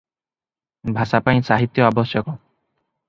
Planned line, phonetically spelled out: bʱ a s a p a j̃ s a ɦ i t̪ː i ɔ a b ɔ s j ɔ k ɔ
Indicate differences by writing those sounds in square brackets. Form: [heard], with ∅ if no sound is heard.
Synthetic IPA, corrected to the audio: bʱ a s a p a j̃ s a ɦ i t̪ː [j] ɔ a b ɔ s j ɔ k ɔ